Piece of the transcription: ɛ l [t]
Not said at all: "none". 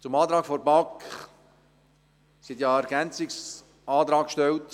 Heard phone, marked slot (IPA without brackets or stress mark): t